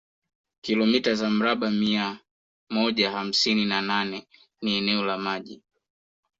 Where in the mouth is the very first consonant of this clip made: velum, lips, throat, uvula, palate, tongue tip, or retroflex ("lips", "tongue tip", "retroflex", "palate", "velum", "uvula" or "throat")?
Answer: velum